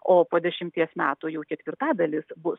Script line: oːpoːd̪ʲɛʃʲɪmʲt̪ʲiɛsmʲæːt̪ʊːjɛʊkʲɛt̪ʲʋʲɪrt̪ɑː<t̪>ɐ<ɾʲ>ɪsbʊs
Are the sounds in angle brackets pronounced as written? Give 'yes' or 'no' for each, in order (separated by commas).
no, no